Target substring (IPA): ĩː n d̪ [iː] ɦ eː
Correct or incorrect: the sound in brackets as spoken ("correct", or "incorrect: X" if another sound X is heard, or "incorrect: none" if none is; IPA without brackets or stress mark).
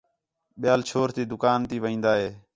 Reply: incorrect: aː